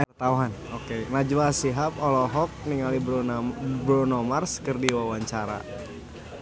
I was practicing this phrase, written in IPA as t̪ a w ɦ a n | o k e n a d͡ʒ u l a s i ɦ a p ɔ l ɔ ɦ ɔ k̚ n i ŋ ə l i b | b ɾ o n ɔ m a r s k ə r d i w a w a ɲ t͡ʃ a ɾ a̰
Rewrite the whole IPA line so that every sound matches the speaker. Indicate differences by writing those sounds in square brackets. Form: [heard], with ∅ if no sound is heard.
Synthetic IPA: t̪ a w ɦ a n | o k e n a d͡ʒ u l a s i ɦ a p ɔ l ɔ ɦ ɔ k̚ n i ŋ [a] l i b | b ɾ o n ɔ m a r s k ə r d i w a w a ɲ t͡ʃ a ɾ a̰